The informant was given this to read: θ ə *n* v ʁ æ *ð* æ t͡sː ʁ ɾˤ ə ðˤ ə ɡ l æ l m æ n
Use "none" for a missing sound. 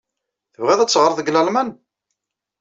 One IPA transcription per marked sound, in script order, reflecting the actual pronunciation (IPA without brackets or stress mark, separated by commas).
none, ð